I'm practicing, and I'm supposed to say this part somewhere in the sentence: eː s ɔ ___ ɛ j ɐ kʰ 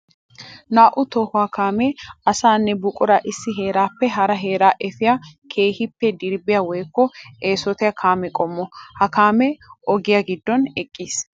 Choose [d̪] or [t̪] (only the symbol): t̪